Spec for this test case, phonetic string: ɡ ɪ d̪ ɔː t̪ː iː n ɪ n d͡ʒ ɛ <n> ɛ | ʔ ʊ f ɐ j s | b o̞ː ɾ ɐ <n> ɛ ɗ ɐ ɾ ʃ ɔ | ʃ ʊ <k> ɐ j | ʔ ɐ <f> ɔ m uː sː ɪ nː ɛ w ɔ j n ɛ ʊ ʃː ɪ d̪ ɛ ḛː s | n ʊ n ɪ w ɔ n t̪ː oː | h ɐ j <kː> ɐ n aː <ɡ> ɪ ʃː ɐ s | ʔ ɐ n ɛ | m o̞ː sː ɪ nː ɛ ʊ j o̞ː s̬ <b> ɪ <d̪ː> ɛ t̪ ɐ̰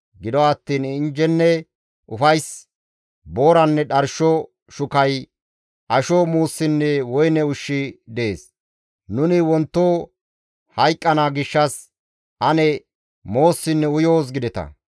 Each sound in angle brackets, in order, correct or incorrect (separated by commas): incorrect, incorrect, correct, incorrect, incorrect, correct, incorrect, incorrect